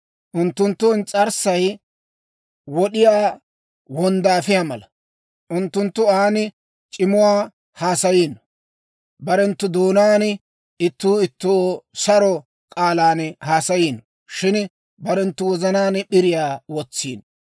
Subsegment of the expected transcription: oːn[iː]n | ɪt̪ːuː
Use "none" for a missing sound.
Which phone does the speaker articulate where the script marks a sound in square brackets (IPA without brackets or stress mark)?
aː